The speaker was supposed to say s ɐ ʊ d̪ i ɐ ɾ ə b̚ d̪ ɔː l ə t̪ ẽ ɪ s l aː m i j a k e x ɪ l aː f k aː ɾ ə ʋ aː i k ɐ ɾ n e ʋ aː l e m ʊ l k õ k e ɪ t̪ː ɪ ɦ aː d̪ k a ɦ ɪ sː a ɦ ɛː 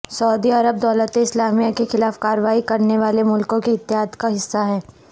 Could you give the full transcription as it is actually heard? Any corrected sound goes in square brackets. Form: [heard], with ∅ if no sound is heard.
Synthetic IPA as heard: s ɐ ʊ d̪ i ɐ ɾ ə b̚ d̪ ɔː l ə t̪ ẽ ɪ s l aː m i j a k e x ɪ l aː f k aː ɾ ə ʋ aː i k ɐ ɾ n e ʋ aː l e m ʊ l k õ k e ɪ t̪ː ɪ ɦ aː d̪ k a ɦ ɪ sː a ɦ ɛː